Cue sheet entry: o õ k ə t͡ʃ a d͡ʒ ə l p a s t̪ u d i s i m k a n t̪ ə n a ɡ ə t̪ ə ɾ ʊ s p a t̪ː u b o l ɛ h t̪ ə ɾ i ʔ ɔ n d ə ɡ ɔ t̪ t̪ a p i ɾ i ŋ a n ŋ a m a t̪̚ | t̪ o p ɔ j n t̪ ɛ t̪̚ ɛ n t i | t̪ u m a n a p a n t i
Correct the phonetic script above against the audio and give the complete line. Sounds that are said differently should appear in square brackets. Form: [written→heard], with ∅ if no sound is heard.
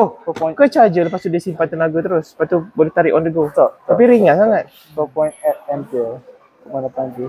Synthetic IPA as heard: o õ k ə t͡ʃ a d͡ʒ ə l p a s t̪ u d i s i m [k→p] a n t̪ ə n a ɡ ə t̪ ə ɾ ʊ s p a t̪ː u b o l ɛ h t̪ [ə→a] ɾ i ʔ ɔ n d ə ɡ [ɔ→o] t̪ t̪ a p i ɾ i ŋ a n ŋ a [m→ŋ] a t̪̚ | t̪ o p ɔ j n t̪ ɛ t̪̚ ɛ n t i | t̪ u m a n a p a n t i